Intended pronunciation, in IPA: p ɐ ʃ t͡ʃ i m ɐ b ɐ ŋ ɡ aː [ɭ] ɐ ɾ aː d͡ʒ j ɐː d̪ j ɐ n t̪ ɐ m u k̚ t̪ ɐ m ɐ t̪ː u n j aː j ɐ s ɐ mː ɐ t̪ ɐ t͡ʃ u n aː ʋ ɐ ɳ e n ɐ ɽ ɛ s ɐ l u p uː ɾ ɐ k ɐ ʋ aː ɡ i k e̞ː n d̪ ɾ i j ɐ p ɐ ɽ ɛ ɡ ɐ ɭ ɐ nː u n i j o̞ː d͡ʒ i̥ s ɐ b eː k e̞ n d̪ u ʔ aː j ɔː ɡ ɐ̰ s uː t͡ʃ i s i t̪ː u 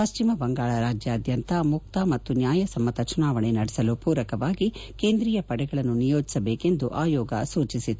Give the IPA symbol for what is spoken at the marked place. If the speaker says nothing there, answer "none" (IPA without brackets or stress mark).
ɭ